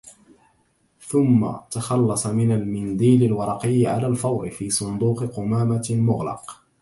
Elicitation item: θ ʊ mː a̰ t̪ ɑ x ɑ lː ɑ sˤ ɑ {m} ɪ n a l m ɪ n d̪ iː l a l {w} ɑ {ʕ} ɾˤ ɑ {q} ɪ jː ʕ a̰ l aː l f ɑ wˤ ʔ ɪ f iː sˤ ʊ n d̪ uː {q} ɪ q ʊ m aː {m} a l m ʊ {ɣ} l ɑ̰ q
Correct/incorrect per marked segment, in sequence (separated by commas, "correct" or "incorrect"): correct, correct, incorrect, correct, correct, correct, correct